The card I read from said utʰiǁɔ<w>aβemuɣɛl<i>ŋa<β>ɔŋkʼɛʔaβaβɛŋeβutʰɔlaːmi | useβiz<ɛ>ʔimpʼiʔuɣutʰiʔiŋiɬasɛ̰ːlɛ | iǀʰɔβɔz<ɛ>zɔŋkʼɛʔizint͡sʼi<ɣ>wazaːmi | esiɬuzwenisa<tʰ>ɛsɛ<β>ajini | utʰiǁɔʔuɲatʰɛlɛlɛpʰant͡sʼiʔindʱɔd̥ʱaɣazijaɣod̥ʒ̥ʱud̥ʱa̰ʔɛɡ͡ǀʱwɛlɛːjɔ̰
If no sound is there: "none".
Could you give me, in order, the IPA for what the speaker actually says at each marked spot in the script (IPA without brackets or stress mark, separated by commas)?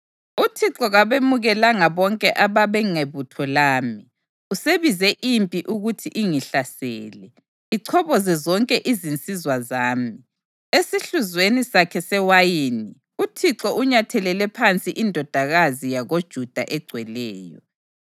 ɣ, a, β, ɛ, ɛ, z, kʰ, w